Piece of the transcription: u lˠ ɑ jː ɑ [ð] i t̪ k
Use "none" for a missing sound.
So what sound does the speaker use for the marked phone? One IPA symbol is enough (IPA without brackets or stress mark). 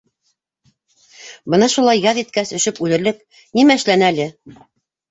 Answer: ð